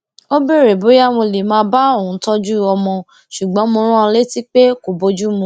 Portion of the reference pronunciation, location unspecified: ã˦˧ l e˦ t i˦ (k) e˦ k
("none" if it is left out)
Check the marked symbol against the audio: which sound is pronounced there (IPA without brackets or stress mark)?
k͡p